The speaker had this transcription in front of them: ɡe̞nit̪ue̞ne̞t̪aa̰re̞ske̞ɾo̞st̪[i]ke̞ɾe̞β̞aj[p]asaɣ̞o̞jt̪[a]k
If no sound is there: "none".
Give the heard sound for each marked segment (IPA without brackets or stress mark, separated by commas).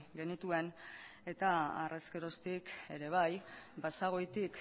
i, b, i